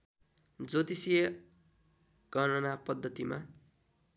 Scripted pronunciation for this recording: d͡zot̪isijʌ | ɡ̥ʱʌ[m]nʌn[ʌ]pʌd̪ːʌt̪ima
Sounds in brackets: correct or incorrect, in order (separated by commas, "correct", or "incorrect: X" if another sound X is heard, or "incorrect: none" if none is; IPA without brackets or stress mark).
incorrect: none, incorrect: a